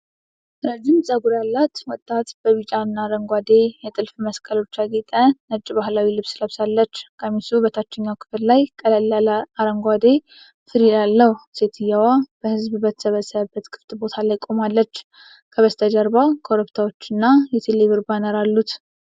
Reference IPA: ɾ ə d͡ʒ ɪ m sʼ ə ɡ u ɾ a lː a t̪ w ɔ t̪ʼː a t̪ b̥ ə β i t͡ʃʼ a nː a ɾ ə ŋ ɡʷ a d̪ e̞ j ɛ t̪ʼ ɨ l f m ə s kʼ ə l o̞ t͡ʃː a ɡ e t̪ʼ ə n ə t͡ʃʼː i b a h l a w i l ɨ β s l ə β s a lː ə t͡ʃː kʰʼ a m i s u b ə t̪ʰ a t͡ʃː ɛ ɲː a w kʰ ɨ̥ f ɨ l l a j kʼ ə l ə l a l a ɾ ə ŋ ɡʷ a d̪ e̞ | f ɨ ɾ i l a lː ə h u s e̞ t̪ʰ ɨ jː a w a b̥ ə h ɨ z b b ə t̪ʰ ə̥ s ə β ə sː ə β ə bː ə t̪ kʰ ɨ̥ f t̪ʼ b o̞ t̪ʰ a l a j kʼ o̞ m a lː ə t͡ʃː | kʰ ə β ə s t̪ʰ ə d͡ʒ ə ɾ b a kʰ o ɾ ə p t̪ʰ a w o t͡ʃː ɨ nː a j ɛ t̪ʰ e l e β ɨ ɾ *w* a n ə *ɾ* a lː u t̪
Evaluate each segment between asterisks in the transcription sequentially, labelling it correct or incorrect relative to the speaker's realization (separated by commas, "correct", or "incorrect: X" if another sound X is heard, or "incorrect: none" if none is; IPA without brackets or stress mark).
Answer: incorrect: b, correct